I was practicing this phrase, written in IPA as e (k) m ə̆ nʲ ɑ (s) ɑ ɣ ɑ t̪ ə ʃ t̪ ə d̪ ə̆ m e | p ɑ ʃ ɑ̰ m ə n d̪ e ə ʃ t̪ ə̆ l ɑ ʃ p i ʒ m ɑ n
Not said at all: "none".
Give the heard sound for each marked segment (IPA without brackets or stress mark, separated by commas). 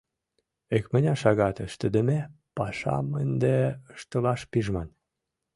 k, ʃ